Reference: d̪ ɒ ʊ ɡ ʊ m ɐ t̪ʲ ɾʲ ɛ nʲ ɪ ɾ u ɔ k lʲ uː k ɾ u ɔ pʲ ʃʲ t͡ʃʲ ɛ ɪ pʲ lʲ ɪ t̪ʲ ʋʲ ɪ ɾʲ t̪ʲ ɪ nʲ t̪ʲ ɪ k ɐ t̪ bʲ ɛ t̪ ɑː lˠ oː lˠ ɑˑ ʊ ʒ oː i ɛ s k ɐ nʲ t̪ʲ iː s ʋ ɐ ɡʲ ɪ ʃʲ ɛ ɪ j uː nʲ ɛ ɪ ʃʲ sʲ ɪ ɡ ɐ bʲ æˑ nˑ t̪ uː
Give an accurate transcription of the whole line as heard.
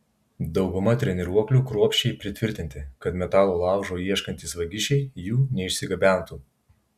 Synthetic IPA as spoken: d̪ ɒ ʊ ɡ ʊ m ɐ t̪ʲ ɾʲ ɛ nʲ ɪ ɾ u ɔ k lʲ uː k ɾ u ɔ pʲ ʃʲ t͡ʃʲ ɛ ɪ pʲ ɾʲ ɪ t̪ʲ ʋʲ ɪ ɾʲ t̪ʲ ɪ nʲ t̪ʲ ɪ k ɐ t̪ mʲ ɛ t̪ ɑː lˠ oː lˠ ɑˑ ʊ ʒ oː i ɛ ʃ k ɐ nʲ t̪ʲ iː s ʋ ɐ ɡʲ ɪ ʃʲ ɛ ɪ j uː nʲ ɛ ɪ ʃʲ sʲ ɪ ɡ ɐ bʲ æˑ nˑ t̪ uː